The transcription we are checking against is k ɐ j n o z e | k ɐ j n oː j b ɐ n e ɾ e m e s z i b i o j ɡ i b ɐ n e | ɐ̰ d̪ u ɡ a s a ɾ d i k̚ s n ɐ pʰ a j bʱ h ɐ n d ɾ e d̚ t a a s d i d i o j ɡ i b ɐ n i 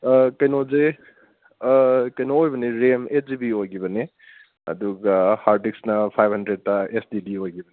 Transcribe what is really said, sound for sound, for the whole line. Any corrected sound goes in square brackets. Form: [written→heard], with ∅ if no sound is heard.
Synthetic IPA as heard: k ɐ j n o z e | k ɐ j n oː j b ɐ n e ɾ e m e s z i b i o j ɡ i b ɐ n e | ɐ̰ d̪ u ɡ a [s→h] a ɾ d i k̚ s n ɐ pʰ a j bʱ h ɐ n d ɾ e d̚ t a [a→e] s d i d i o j ɡ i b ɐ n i